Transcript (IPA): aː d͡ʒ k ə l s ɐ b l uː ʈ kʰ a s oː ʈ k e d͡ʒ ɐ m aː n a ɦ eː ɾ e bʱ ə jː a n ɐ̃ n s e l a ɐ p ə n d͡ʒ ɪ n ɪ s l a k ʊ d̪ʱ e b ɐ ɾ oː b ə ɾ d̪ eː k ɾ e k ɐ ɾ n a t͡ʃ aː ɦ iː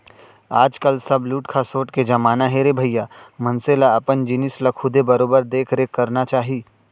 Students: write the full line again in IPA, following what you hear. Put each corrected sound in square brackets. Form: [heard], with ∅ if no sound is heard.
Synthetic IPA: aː d͡ʒ k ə l s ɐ b l uː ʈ kʰ a s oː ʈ k e d͡ʒ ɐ m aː n a ɦ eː ɾ e bʱ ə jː a [m] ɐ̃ n s e l a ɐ p ə n d͡ʒ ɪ n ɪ s l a [kʰ] ʊ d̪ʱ e b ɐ ɾ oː b ə ɾ d̪ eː [kʰ] ɾ e k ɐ ɾ n a t͡ʃ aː ɦ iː